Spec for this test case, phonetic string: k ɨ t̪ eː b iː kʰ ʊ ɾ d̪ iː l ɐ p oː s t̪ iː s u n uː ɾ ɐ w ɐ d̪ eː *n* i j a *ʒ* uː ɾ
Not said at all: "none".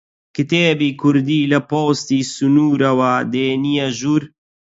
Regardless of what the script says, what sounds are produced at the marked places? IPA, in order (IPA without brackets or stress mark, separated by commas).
n, ʒ